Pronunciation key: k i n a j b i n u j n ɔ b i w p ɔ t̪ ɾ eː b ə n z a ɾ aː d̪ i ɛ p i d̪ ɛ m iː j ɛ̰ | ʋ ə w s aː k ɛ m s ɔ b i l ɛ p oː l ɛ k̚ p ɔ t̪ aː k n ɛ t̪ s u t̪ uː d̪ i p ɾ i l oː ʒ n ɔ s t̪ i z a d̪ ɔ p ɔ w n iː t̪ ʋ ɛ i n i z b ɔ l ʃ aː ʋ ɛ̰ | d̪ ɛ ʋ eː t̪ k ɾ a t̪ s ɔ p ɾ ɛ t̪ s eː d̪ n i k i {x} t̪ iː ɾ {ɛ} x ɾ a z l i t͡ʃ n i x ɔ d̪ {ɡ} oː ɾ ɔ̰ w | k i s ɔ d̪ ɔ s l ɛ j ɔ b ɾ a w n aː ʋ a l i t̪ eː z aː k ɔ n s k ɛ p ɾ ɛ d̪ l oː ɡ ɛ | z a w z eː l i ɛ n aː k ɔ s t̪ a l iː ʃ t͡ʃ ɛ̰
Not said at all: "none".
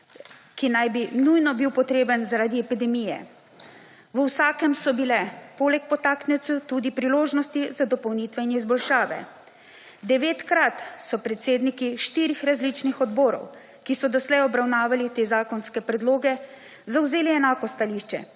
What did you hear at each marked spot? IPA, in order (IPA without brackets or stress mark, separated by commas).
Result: ʃ, i, b